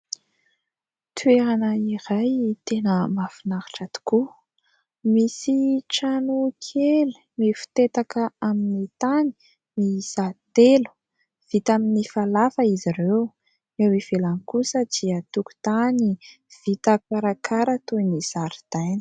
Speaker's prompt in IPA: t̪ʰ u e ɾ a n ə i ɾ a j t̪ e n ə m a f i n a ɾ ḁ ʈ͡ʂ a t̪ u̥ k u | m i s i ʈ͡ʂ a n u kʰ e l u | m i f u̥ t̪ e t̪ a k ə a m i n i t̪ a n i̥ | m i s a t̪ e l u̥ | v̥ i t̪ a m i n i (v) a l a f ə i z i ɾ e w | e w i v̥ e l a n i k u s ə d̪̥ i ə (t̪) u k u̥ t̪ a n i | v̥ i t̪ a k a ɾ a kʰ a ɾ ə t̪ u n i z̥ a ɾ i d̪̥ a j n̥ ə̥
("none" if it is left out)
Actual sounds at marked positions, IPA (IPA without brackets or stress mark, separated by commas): f, t̪